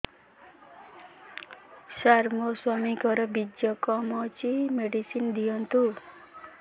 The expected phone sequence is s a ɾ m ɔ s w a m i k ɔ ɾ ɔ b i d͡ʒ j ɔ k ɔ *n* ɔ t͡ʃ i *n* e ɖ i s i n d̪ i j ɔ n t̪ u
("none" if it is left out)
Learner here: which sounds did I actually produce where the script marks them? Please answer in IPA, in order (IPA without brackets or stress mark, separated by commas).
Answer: m, m